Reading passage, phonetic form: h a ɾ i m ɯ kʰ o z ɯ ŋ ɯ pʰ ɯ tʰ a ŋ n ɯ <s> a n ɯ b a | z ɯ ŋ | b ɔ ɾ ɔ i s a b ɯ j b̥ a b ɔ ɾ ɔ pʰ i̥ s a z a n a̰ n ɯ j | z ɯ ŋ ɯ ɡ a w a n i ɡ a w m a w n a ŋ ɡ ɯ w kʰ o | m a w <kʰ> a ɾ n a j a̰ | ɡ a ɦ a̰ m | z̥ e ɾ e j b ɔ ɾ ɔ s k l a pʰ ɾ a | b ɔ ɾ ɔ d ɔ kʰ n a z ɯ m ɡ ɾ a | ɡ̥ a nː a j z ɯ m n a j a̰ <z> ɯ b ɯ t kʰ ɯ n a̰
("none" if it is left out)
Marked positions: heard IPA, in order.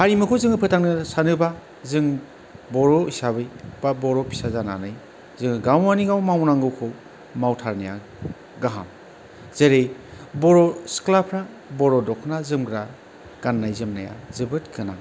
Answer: s, tʰ, z

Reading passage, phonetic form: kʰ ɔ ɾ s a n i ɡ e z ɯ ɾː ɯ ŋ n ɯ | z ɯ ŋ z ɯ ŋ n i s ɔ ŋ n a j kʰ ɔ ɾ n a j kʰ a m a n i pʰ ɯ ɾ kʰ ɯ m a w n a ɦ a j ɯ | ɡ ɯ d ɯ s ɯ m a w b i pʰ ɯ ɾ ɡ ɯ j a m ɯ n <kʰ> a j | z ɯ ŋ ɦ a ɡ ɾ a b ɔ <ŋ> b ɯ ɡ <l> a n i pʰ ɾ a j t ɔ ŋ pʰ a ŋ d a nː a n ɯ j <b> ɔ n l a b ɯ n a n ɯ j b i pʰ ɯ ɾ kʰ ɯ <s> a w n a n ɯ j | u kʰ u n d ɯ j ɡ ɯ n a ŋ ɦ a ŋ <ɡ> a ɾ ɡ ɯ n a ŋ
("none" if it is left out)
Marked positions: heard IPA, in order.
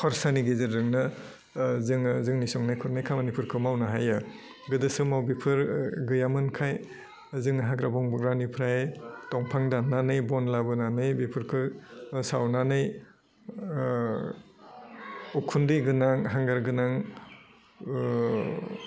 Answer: kʰ, ŋ, ɾ, b, s, ɡ

